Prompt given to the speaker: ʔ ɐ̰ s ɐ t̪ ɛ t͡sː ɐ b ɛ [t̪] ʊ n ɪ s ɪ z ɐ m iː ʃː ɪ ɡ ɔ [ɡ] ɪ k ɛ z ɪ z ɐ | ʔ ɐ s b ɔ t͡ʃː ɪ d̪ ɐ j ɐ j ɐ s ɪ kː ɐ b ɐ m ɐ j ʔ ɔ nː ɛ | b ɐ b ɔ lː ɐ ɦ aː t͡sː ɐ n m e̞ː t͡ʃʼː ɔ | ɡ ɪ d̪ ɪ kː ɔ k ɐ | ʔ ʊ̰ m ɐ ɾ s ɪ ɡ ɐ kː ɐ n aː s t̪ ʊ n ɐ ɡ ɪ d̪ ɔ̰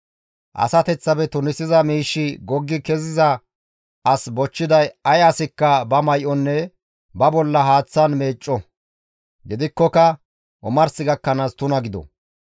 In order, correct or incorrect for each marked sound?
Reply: correct, incorrect

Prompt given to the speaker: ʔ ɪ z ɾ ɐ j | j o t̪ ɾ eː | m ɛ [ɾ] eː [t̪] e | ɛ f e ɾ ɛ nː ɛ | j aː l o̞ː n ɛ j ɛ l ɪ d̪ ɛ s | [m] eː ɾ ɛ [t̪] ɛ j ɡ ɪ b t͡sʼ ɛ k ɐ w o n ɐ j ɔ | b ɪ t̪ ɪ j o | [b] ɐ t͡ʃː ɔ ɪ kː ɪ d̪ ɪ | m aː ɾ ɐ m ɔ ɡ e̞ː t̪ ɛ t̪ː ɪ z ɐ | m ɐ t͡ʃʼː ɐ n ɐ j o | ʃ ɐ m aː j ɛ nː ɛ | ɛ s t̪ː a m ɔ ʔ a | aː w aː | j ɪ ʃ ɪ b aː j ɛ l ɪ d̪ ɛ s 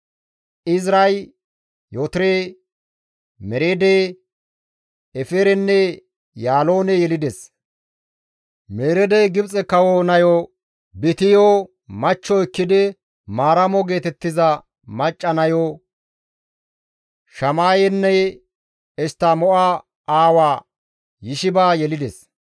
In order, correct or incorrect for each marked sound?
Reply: correct, incorrect, correct, incorrect, incorrect

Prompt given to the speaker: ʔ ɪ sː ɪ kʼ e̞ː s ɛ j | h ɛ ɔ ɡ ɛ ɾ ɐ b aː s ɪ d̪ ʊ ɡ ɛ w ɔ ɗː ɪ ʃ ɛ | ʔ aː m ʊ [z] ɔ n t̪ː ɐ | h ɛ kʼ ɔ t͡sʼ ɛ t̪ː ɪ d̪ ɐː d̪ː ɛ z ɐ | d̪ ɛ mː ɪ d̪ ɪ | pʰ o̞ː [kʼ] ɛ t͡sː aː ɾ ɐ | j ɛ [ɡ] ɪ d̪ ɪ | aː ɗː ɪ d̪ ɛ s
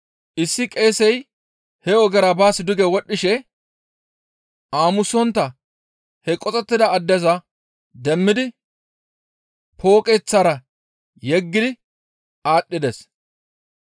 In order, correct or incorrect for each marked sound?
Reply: incorrect, correct, incorrect

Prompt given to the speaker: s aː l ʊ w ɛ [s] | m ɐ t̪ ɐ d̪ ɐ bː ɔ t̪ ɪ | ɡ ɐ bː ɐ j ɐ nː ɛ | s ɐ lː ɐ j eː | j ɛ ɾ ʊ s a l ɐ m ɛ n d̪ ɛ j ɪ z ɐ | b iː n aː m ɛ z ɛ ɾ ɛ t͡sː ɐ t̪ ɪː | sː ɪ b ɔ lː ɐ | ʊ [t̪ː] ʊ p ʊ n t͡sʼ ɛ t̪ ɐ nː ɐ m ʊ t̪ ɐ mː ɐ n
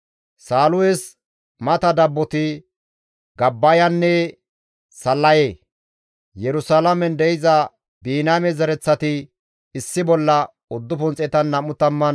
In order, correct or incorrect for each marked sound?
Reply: correct, incorrect

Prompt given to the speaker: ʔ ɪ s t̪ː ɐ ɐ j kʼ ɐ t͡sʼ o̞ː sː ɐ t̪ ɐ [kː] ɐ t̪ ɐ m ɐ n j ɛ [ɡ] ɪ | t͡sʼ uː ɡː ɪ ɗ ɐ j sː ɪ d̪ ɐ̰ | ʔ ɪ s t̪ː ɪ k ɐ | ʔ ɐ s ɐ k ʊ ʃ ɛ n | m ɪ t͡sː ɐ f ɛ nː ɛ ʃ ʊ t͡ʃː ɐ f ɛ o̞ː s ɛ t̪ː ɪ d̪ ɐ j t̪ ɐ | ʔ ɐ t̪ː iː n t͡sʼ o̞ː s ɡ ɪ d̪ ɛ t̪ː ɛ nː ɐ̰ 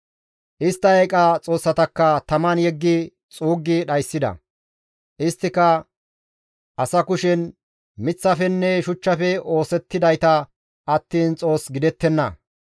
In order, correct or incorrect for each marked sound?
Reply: correct, incorrect

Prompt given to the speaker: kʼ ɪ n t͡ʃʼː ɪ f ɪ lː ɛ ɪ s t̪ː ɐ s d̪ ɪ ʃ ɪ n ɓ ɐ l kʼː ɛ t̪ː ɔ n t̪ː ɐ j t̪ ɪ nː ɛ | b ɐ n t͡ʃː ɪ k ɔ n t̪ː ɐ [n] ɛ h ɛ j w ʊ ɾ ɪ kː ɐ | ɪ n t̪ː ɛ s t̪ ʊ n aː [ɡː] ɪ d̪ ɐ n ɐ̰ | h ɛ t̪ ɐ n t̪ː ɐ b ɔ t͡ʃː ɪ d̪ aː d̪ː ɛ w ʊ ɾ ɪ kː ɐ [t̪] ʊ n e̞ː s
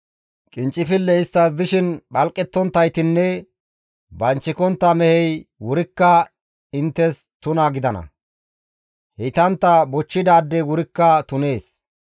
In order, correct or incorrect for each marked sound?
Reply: incorrect, incorrect, correct

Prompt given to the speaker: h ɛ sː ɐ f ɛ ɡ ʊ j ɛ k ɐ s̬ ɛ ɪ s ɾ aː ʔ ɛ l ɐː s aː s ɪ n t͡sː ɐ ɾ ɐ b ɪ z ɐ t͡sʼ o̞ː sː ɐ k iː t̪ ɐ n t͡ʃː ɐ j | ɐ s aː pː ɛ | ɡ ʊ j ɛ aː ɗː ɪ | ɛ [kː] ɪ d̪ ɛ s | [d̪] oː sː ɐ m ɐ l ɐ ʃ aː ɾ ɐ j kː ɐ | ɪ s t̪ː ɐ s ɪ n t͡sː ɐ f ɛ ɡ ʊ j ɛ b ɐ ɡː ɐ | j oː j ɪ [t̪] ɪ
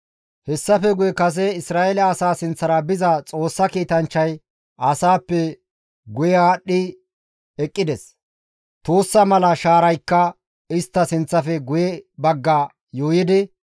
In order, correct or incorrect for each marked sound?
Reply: incorrect, incorrect, incorrect

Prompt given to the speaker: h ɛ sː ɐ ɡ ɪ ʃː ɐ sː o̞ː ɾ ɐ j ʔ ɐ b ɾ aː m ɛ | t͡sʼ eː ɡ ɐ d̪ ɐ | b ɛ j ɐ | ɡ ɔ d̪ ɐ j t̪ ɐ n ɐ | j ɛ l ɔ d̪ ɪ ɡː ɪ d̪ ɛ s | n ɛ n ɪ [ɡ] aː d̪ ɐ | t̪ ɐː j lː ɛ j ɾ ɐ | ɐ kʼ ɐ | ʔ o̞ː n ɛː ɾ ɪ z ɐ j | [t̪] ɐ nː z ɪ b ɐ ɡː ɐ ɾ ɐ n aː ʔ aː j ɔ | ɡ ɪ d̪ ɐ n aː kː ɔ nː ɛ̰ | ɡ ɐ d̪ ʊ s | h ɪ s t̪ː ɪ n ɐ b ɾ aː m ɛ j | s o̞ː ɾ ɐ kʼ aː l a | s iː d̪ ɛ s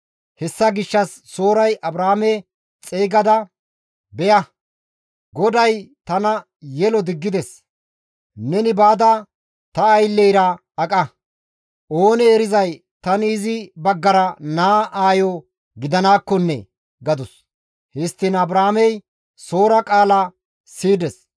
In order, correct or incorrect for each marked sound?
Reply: incorrect, correct

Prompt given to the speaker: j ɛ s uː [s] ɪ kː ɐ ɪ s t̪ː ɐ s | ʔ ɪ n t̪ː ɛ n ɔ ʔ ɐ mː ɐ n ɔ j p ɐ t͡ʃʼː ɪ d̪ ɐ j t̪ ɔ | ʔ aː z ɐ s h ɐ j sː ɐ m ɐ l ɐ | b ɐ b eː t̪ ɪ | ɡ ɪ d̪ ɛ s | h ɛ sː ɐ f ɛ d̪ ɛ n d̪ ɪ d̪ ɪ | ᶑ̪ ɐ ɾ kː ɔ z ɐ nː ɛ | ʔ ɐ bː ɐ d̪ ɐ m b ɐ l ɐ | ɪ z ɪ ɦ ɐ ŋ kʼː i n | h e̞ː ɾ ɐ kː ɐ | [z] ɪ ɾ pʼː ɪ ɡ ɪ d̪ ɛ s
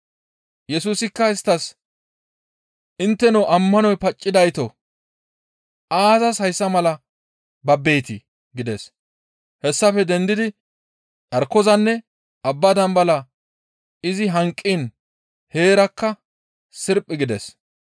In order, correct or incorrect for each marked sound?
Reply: correct, incorrect

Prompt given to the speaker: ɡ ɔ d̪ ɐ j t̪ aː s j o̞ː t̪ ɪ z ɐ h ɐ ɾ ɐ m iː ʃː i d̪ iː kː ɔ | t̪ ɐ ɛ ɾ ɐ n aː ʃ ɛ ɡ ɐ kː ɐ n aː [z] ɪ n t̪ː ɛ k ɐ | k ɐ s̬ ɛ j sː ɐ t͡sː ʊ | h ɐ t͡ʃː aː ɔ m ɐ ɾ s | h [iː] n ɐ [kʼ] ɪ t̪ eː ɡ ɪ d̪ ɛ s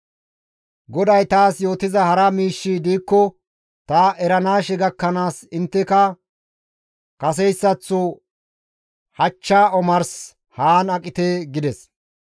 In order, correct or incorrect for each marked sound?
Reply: incorrect, incorrect, correct

